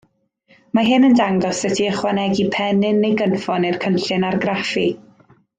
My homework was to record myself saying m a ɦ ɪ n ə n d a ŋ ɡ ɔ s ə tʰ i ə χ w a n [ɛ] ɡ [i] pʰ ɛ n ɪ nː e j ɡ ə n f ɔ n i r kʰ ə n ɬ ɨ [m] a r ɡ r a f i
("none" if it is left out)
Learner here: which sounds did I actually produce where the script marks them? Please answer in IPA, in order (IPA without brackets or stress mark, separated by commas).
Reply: ɛ, i, n